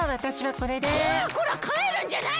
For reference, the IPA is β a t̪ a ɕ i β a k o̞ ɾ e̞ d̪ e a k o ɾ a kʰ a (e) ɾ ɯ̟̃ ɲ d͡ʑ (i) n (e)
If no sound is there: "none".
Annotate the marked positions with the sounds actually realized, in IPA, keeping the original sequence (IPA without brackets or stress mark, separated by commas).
e, a, a